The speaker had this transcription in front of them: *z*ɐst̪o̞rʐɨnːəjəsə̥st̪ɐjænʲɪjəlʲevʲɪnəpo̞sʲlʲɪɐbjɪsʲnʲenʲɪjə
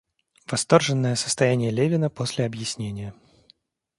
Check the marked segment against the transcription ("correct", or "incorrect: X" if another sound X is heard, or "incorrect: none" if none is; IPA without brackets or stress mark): incorrect: v